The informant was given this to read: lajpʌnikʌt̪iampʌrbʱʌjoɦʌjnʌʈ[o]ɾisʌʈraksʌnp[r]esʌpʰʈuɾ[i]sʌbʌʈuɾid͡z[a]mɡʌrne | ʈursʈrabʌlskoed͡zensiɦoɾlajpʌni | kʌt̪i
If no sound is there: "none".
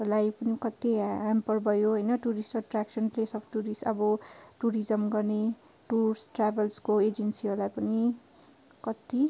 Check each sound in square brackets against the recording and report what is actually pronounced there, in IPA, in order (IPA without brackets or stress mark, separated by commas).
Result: u, l, i, ʌ